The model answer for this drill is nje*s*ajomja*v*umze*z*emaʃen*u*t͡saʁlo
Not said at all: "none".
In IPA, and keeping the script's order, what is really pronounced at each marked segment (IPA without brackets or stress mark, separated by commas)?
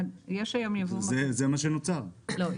ʃ, v, z, o